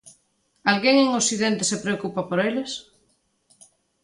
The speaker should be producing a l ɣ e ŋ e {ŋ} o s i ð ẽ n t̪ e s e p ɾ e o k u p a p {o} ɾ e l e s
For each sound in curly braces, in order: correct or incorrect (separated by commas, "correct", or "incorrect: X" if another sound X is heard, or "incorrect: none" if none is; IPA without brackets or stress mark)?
correct, correct